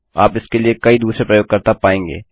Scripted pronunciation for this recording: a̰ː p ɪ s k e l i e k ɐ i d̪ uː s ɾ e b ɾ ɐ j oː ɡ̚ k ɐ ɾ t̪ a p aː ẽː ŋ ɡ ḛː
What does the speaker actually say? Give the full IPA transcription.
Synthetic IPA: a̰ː p ɪ s k e l i e k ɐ i d̪ uː s ɾ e p ɾ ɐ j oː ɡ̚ k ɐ ɾ t̪ a p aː ẽː ŋ ɡ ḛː